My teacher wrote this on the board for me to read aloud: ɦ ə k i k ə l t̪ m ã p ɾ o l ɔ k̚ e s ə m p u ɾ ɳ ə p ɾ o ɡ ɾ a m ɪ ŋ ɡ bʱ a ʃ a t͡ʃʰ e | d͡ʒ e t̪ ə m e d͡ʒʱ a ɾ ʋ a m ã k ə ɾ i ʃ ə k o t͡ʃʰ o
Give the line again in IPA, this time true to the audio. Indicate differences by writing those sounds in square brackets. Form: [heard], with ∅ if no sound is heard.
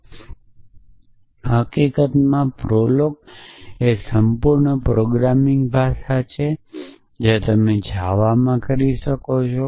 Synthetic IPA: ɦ ə k i k ə [∅] t̪ m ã p ɾ o l [o] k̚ e s ə m p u ɾ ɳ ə p ɾ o ɡ ɾ a m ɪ ŋ ɡ bʱ a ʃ a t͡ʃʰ e | d͡ʒ e t̪ ə m e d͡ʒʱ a [∅] ʋ a m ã k ə ɾ i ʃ ə k o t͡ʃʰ o

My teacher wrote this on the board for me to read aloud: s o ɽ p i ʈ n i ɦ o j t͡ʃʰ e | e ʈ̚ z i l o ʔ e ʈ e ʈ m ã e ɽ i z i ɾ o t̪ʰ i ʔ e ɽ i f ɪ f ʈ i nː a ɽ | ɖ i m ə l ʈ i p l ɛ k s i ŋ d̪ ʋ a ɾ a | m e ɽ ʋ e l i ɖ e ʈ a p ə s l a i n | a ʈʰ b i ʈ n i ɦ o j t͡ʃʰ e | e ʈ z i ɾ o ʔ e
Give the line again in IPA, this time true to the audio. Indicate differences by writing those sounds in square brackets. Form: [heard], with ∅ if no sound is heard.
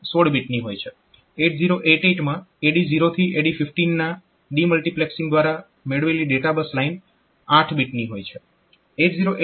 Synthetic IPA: s o ɽ [b] i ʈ n i ɦ o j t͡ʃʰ e | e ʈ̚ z i [ɾ] o ʔ e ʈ e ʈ m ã e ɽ i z i ɾ o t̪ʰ i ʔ e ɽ i f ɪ f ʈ i nː a [∅] | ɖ i m ə l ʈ i p l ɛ k s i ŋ d̪ ʋ a ɾ a | m e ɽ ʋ e l i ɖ e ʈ a [b] ə s l a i n | a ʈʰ b i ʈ n i ɦ o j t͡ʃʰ e | e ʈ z i ɾ o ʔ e

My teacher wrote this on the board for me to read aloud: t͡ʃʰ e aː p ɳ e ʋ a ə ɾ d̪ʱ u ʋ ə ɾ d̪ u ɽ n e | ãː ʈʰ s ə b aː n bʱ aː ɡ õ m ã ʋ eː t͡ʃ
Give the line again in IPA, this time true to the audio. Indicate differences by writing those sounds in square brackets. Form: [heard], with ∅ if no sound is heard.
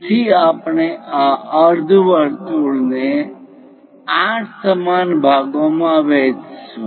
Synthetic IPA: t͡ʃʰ [i] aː p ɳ e [∅] a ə ɾ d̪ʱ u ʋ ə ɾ [t̪] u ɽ n e | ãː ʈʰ s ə [m] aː n bʱ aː ɡ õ m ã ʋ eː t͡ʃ

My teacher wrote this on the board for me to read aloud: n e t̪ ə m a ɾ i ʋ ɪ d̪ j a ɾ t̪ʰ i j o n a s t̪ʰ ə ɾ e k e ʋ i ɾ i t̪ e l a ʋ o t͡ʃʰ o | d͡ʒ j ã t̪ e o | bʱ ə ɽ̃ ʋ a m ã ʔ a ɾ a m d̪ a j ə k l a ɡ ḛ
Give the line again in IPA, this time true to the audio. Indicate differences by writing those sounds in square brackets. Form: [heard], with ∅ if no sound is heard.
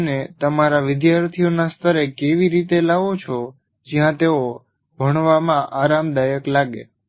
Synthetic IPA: n e t̪ ə m a ɾ [a] ʋ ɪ d̪ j a ɾ t̪ʰ i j o n a s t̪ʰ ə ɾ e k e ʋ i ɾ i t̪ e l a ʋ o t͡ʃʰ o | d͡ʒ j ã t̪ e o | bʱ ə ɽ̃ ʋ a m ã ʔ a ɾ a m d̪ a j ə k l a ɡ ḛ

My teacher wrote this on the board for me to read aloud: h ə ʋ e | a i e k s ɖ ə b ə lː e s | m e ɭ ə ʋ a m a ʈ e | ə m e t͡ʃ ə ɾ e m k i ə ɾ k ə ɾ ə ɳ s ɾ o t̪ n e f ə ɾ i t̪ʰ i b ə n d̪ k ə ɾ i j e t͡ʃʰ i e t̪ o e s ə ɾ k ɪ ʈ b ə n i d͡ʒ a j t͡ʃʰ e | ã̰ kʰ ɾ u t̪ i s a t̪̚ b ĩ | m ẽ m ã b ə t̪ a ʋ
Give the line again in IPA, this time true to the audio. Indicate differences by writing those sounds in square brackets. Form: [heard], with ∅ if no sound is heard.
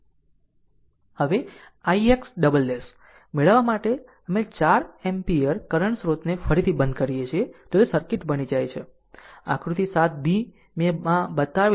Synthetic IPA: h ə ʋ e | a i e k s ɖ ə b ə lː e s | m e ɭ ə ʋ a m a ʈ e | ə m e t͡ʃ [a] ɾ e m [p] i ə ɾ k ə ɾ ə ɳ s ɾ o t̪ n e f ə ɾ i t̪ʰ i b ə n d̪ k ə ɾ i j e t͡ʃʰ i e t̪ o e s ə ɾ k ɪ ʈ b ə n i d͡ʒ a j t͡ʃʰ e | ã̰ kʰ ɾ u t̪ i s a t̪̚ b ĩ | m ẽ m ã b ə t̪ a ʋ

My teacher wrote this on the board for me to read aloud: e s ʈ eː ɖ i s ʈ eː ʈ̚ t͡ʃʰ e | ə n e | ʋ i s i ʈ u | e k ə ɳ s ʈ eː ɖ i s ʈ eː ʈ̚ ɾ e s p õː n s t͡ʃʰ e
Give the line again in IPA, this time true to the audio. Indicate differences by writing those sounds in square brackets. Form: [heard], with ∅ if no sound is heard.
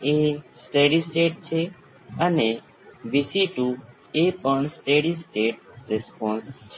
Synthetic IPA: e s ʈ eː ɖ i s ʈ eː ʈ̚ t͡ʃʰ e | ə n e | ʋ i s i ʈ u | e [p] ə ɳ s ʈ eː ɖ i s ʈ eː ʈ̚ ɾ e s p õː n s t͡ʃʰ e

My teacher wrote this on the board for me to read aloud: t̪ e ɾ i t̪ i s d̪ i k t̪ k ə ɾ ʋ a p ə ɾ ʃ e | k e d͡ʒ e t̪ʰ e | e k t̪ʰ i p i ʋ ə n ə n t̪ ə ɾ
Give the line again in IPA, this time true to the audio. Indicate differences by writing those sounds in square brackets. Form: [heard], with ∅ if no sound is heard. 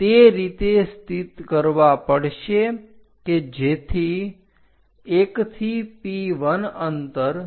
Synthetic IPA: t̪ e ɾ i t̪ [e] s [t̪] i [∅] t̪ k ə ɾ ʋ a p ə [ɽ] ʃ e | k e d͡ʒ e t̪ʰ [i] | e k t̪ʰ i p i ʋ ə n ə n t̪ ə ɾ

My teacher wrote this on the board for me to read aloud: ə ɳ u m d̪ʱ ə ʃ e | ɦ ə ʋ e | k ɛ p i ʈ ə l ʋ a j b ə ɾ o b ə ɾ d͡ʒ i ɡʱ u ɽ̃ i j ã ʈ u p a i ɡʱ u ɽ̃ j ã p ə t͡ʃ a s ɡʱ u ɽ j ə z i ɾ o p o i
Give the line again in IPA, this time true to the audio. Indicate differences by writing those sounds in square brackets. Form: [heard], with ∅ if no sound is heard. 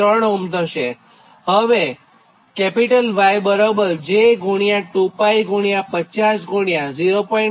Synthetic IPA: ə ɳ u m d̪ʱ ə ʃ e | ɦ ə ʋ e | k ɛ p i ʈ ə l ʋ a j b ə ɾ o b ə ɾ d͡ʒ [e] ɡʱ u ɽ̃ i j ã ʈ u p a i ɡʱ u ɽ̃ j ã p ə t͡ʃ a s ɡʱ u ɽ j [a] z i ɾ o p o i

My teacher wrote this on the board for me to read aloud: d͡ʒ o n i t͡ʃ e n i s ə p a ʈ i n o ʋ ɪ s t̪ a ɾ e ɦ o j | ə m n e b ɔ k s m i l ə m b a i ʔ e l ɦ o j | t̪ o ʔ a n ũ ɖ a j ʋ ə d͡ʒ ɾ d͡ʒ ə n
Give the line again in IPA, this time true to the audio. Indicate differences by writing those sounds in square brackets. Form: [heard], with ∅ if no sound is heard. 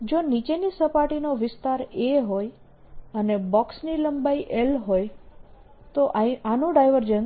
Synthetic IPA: d͡ʒ o n i t͡ʃ e n i s ə p a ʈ i n o ʋ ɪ s t̪ a ɾ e ɦ o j | ə [∅] n e b ɔ k s [n] i l ə m b a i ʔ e l ɦ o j | t̪ o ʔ a n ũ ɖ a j ʋ ə [∅] ɾ d͡ʒ ə n

